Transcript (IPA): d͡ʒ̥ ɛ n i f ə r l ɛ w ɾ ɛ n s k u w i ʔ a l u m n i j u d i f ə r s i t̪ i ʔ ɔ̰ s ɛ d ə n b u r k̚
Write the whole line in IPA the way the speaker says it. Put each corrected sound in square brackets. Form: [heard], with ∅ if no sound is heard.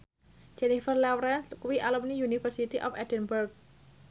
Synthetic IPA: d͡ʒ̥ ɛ n i f ə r l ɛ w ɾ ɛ n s k u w i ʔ a l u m n i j u [n] i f ə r s i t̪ i ʔ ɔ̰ [f] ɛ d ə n b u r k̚